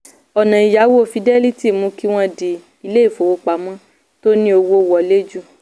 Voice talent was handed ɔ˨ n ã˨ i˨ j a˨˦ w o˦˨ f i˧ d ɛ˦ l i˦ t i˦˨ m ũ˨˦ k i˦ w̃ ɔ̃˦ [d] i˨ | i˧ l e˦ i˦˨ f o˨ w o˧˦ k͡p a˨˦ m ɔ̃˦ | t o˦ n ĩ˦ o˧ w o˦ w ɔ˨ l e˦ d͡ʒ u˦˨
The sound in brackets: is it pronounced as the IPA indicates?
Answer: yes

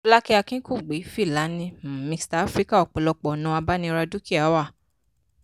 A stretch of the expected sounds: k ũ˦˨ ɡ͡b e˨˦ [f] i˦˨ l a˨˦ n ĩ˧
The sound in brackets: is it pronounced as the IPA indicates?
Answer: yes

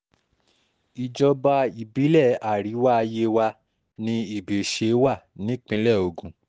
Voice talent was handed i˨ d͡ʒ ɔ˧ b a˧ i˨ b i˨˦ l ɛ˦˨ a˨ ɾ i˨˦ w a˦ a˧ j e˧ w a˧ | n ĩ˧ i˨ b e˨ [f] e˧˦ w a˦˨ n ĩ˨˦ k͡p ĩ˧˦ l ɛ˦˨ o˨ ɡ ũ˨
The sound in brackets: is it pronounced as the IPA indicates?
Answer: no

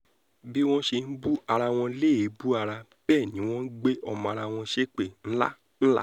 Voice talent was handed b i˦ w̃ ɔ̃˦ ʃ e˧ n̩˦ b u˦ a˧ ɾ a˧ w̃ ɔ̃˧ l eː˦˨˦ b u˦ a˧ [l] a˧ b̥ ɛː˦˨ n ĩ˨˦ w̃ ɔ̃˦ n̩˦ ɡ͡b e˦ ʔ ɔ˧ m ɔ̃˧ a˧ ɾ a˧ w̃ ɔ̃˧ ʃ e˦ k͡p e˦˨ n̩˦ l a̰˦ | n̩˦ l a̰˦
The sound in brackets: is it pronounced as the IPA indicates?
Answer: no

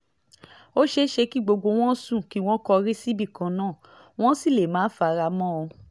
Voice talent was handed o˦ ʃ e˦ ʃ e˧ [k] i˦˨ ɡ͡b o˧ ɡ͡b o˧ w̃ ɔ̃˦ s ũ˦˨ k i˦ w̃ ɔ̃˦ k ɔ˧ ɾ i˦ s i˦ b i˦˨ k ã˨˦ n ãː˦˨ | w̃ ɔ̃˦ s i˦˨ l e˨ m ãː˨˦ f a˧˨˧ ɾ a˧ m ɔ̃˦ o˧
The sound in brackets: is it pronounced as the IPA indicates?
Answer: yes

